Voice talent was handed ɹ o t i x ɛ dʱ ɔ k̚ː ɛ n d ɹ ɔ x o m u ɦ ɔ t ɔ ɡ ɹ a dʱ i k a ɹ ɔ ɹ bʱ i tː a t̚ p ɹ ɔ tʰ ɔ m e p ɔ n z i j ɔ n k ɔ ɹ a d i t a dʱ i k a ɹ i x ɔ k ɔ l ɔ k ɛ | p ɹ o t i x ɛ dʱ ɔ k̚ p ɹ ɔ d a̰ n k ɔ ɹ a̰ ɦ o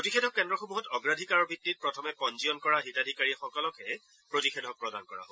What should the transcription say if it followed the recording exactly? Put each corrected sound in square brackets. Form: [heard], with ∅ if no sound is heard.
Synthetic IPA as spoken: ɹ o t i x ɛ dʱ ɔ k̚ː ɛ n d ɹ ɔ x o m u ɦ ɔ t ɔ ɡ ɹ a dʱ i k a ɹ ɔ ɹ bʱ i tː [i] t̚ p ɹ ɔ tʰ ɔ m [ɛ] p ɔ n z i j ɔ n k ɔ ɹ a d i t a dʱ i k a ɹ i x ɔ k ɔ l ɔ k ɛ | p ɹ o t i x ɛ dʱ ɔ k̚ p ɹ ɔ d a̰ n k ɔ ɹ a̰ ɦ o